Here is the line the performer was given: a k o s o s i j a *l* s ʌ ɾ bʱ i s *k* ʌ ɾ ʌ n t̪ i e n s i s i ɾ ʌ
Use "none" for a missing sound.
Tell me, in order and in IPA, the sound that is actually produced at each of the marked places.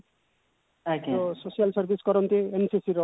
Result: l, k

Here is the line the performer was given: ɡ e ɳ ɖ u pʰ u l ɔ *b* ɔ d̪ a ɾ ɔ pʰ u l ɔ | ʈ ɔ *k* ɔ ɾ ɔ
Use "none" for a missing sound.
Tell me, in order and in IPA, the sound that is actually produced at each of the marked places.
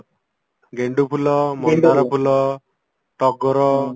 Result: m, ɡ

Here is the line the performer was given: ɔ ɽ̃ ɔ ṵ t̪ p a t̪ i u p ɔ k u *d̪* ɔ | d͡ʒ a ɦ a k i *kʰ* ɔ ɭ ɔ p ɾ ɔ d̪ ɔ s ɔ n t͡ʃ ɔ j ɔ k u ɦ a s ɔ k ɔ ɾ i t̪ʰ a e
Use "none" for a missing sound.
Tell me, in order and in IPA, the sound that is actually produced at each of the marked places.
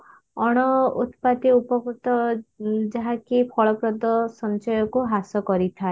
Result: t̪, pʰ

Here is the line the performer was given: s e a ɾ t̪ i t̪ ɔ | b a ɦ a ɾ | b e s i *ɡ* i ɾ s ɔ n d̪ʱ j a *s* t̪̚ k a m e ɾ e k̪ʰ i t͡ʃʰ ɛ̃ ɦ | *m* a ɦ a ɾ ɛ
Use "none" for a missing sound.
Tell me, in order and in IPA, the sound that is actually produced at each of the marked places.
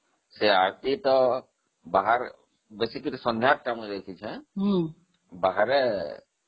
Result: k, none, b

